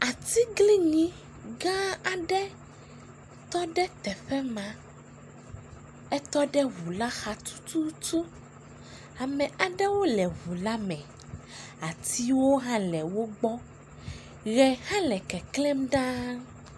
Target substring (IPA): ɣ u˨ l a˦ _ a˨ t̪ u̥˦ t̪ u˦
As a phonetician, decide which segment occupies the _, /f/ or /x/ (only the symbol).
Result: x